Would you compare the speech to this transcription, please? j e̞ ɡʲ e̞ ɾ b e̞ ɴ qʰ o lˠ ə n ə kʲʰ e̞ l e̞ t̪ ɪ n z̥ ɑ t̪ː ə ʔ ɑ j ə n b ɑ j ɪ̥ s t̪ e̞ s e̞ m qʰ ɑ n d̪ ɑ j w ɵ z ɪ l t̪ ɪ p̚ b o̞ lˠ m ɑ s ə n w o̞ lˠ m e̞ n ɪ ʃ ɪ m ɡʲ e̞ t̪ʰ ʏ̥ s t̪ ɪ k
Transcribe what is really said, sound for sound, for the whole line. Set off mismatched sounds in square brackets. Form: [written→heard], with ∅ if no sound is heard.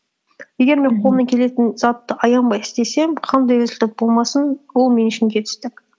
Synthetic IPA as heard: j e̞ ɡʲ e̞ ɾ [b→m] e̞ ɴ qʰ o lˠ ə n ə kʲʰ e̞ l e̞ t̪ ɪ n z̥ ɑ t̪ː ə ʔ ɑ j [ə→ɑ] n b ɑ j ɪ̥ s t̪ e̞ s e̞ m qʰ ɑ n d̪ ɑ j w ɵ z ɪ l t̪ ɪ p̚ b o̞ lˠ m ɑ s ə n w o̞ lˠ m e̞ n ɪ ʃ ɪ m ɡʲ e̞ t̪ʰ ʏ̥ s t̪ ɪ k